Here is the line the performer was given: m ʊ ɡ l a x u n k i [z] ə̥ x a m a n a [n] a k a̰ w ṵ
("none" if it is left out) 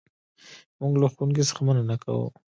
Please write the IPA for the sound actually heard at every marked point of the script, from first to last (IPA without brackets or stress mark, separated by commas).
s, n